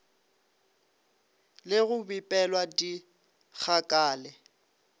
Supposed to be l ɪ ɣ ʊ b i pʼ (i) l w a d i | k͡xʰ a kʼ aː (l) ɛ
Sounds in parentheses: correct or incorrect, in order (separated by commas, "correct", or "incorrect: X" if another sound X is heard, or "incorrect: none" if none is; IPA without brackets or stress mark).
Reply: incorrect: ɛ, correct